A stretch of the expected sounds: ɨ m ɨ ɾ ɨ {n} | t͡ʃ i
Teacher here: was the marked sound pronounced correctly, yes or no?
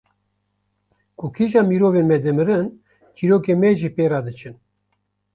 yes